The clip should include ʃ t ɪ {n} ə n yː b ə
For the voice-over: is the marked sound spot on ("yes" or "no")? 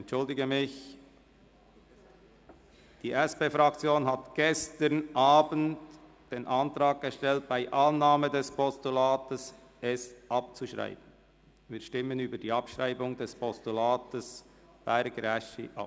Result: no